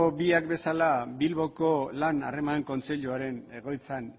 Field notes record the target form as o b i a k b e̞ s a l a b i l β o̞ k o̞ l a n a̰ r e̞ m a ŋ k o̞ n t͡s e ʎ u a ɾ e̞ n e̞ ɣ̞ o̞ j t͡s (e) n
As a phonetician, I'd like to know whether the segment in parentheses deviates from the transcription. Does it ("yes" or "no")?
yes